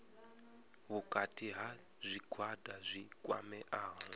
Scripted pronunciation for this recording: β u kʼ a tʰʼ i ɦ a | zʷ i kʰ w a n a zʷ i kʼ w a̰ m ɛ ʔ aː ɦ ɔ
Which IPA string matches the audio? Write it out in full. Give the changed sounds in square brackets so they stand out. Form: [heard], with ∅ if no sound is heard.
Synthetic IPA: β u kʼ a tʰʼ i ɦ a | zʷ i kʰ w a [d] a zʷ i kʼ w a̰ m ɛ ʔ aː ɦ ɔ